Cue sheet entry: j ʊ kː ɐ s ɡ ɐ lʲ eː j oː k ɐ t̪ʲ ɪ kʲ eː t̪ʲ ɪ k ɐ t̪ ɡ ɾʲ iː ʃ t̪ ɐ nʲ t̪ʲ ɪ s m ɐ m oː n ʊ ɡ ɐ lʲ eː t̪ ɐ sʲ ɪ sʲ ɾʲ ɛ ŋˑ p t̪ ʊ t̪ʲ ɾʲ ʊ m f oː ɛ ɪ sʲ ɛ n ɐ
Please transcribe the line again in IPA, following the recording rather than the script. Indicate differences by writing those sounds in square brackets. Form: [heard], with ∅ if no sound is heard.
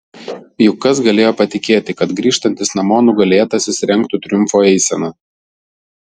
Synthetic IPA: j ʊ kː ɐ s ɡ ɐ lʲ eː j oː [p] ɐ t̪ʲ ɪ kʲ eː t̪ʲ ɪ k ɐ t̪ ɡ ɾʲ iː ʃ t̪ ɐ nʲ t̪ʲ ɪ s [n] ɐ m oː n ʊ ɡ ɐ lʲ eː t̪ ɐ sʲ ɪ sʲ ɾʲ ɛ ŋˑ [k] t̪ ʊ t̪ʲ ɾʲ ʊ m f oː ɛ ɪ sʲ ɛ n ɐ